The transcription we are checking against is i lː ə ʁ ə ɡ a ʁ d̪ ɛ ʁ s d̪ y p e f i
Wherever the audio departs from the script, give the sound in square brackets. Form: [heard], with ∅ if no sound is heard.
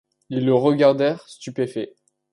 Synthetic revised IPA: i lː ə ʁ ə ɡ a ʁ d̪ ɛ ʁ s [t̪] y p e f [ɛ]